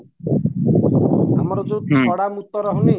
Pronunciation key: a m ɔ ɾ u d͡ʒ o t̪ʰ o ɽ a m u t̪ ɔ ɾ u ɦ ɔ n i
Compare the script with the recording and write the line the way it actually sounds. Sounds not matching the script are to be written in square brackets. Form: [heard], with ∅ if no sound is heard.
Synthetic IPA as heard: a m ɔ ɾ [ɔ] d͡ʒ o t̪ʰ [ɔ] ɽ a m u t̪ ɔ ɾ [ɔ] ɦ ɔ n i